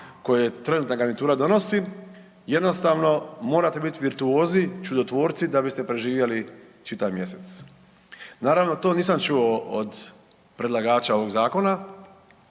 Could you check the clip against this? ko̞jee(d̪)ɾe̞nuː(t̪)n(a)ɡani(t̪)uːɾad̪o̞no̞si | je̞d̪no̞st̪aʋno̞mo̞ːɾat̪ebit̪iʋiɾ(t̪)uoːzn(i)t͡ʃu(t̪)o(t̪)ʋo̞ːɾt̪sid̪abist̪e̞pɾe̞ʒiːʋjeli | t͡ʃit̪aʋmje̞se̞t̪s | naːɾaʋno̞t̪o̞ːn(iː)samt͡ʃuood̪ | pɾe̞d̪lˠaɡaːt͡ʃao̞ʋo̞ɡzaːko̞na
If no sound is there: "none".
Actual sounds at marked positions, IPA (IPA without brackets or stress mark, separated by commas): t̪, t̪, a, t̪, t̪, i, d̪, t̪, iː